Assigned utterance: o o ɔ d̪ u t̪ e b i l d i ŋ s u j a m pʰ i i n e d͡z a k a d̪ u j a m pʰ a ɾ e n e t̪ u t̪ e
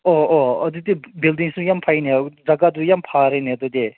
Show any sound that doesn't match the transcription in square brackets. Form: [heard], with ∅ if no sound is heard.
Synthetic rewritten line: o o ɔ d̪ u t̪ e b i l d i ŋ s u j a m pʰ [a] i n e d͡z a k a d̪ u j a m pʰ a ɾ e n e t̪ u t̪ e